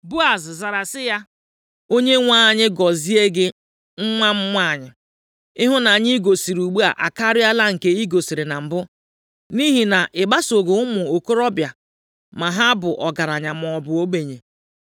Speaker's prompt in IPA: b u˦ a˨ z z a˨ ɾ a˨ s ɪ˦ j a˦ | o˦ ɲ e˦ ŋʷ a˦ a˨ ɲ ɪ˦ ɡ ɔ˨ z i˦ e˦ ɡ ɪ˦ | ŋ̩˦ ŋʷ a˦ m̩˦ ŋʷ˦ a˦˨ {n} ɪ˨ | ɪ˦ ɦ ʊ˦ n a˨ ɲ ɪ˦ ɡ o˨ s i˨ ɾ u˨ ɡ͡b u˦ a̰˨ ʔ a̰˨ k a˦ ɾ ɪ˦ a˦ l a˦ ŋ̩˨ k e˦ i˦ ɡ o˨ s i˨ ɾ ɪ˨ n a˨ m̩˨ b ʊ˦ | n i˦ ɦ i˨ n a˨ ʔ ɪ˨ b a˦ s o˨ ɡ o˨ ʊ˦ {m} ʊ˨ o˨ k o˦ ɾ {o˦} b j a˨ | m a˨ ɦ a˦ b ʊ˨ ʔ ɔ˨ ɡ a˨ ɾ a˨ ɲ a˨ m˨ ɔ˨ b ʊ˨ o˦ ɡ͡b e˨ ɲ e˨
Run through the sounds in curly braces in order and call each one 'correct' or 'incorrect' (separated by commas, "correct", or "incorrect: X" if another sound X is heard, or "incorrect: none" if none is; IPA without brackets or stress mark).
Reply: incorrect: ɲ, correct, incorrect: ɔ˦